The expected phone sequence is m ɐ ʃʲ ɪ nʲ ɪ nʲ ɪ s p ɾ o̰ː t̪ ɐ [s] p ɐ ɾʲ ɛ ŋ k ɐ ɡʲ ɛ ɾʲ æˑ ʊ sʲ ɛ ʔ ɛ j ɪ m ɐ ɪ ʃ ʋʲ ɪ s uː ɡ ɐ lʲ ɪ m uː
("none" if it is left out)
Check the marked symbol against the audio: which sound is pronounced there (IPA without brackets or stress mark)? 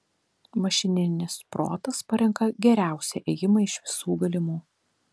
s